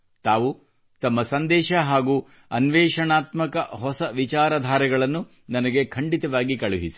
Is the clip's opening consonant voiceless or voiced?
voiceless